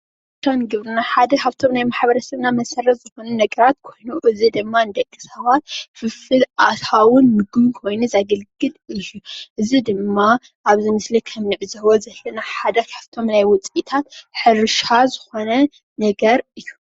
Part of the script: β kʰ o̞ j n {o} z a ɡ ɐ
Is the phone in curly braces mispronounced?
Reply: yes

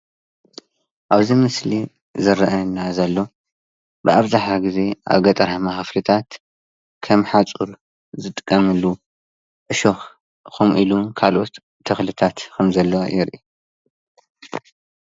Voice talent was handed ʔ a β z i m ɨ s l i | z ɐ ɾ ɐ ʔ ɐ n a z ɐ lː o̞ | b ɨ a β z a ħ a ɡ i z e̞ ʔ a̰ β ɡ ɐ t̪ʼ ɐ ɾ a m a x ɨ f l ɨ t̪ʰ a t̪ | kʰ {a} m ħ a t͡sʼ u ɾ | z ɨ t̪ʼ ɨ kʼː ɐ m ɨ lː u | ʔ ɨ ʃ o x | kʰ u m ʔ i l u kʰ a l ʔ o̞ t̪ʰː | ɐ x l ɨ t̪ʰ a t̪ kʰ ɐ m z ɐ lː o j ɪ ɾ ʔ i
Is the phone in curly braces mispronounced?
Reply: yes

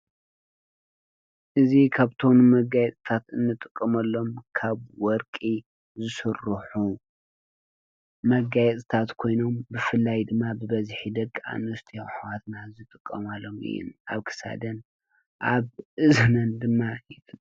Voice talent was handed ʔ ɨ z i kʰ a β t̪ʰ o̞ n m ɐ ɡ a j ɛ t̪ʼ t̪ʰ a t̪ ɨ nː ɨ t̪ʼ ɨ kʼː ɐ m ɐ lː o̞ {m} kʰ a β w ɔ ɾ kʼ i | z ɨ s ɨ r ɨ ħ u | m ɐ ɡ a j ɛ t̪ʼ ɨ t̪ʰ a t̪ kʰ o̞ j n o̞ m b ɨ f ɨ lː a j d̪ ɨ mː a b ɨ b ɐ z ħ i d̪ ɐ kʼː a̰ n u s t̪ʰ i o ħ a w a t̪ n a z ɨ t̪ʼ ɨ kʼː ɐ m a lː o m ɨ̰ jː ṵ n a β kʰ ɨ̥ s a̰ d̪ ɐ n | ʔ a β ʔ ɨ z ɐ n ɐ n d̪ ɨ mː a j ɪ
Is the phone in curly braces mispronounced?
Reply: no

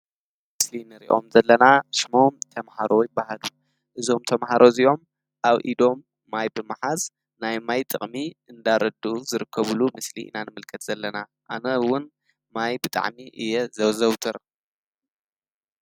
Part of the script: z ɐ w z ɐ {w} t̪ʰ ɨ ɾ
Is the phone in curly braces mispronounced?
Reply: no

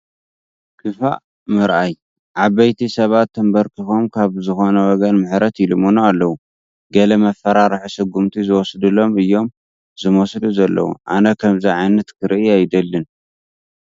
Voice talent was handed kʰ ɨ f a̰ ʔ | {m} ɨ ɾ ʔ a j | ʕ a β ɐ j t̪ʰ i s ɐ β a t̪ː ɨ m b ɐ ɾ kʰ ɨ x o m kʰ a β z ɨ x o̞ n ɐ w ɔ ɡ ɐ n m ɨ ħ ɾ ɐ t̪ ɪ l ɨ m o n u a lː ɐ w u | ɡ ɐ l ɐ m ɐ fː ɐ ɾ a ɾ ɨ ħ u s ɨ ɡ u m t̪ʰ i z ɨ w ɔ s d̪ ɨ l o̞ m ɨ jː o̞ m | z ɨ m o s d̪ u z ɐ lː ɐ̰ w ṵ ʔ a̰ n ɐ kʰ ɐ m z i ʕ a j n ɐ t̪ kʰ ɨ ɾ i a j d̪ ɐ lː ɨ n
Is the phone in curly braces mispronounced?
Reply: no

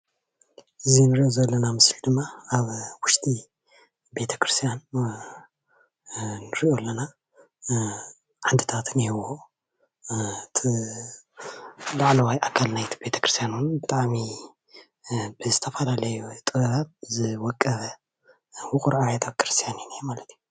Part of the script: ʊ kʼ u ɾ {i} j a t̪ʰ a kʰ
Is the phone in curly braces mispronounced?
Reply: yes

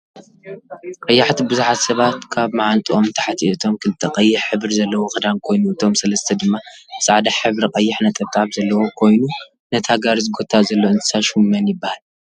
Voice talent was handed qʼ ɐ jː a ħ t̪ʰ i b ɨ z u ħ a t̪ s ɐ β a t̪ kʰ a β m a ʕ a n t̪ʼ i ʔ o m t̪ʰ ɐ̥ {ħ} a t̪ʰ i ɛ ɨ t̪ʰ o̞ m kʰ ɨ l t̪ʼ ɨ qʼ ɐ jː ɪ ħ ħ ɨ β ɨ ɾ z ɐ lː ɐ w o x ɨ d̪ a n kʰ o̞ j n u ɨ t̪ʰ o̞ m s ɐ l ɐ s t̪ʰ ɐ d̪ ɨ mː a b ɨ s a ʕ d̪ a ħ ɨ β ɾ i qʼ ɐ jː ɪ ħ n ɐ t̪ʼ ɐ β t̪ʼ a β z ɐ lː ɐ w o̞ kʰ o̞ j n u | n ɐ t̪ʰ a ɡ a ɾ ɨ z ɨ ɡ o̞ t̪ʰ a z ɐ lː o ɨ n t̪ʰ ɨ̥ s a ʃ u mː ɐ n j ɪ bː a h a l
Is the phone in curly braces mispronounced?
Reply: no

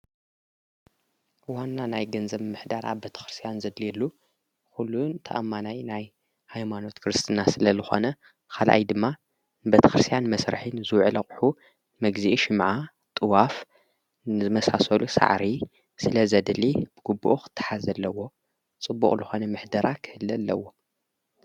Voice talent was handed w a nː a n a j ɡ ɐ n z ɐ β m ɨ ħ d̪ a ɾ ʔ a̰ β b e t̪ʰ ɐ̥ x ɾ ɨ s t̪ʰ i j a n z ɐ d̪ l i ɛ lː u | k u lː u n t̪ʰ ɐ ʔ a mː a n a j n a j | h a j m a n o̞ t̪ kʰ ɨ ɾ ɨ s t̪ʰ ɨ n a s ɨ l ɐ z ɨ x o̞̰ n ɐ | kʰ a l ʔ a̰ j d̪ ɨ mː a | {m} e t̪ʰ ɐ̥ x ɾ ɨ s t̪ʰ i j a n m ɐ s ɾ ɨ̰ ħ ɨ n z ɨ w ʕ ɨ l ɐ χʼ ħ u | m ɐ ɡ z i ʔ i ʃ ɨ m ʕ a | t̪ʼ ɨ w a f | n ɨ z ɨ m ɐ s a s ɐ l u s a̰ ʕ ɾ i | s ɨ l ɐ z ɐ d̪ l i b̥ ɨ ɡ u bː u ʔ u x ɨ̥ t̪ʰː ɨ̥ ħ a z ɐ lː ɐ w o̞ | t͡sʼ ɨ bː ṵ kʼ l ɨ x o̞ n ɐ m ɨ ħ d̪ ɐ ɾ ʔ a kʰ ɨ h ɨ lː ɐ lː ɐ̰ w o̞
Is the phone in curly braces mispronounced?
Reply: yes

